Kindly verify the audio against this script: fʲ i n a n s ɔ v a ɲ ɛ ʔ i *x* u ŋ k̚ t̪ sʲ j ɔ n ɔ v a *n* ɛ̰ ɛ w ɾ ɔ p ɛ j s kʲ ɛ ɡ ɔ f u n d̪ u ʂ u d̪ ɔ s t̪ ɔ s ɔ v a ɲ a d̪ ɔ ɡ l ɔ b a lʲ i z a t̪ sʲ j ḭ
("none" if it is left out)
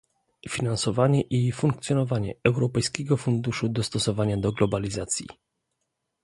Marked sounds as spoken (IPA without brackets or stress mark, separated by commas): f, ɲ